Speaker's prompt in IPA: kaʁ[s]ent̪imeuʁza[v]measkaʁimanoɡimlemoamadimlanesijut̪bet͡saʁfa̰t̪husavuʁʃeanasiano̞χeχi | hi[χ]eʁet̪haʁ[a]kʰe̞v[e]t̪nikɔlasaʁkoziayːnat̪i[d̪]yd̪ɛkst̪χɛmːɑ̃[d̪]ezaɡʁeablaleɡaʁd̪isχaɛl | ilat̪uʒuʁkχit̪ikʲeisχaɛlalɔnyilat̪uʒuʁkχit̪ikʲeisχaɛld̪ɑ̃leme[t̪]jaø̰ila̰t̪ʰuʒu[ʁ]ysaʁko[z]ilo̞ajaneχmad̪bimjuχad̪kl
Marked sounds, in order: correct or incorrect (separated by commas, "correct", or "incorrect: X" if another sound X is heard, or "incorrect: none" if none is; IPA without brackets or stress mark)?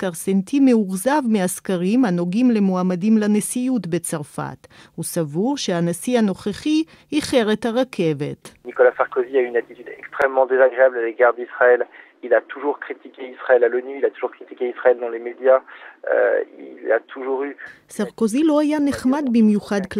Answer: correct, correct, correct, correct, correct, incorrect: t̪, correct, incorrect: d̪, correct, correct